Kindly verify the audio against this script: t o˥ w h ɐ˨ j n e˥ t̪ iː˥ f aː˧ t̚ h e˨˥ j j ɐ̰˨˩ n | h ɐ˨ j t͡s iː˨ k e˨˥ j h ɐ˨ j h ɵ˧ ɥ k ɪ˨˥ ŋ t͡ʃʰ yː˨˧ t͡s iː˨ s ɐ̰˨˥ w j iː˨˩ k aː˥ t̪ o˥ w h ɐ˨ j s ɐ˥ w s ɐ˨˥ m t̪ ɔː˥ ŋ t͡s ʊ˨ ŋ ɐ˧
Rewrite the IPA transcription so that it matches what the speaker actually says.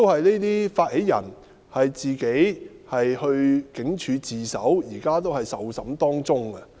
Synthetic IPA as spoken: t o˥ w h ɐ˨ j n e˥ t̪ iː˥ f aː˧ t̚ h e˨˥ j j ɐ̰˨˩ n | h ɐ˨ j t͡s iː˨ k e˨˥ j h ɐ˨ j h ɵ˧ ɥ k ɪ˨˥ ŋ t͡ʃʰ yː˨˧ t͡s iː˨ s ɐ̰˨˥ w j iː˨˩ k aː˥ t̪ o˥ w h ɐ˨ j s ɐ˨˥ w s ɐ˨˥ m t̪ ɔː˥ ŋ t͡s ʊ˥ ŋ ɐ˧

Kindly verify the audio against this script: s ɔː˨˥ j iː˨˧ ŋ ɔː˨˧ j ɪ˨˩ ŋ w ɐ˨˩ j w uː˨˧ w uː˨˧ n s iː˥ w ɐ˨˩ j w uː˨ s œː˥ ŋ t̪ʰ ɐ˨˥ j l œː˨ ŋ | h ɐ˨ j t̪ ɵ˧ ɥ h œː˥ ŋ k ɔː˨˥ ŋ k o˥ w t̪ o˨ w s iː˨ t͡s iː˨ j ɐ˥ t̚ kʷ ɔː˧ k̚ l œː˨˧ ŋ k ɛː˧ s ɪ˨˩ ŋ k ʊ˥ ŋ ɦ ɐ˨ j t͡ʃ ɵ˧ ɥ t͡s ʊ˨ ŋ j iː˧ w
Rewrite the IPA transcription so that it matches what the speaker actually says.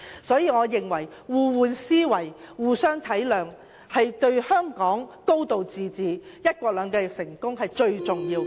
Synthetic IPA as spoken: s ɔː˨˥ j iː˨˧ ŋ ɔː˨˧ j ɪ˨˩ ŋ w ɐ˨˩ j w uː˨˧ w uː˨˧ n s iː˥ w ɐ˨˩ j w uː˨ s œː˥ ŋ t̪ʰ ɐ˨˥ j l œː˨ ŋ | h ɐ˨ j t̪ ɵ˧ ɥ h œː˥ ŋ k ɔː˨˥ ŋ k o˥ w t̪ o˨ w t͡s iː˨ t͡s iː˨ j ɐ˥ t̚ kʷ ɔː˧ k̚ l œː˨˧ ŋ k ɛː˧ s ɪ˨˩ ŋ k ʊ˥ ŋ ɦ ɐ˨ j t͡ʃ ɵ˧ ɥ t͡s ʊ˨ ŋ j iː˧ w

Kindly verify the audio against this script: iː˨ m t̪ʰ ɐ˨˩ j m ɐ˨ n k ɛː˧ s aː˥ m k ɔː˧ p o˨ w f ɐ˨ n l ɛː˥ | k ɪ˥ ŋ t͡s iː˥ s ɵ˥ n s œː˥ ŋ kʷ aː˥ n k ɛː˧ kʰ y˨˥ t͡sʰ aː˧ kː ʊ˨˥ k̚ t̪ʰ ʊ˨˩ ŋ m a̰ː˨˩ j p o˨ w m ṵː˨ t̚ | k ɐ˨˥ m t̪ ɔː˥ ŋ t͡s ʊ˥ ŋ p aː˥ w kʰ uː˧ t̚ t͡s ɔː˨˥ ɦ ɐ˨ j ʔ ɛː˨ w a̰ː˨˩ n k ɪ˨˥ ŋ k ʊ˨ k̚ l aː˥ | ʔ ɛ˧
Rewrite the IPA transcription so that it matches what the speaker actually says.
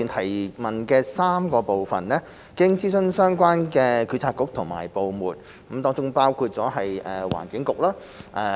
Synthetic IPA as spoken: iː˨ n t̪ʰ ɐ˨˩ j m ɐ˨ n k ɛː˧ s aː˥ m k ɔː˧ p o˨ w f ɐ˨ n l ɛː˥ | k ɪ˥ ŋ t͡s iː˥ s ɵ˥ n s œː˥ ŋ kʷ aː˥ n k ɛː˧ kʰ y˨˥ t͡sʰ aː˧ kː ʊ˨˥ k̚ t̪ʰ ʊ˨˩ ŋ m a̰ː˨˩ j p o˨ w m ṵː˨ t̚ | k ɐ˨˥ m t̪ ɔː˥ ŋ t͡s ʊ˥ ŋ p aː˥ w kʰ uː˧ t̚ t͡s ɔː˨˥ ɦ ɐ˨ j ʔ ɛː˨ w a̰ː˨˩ n k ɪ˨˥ ŋ k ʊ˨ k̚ l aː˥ | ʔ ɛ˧

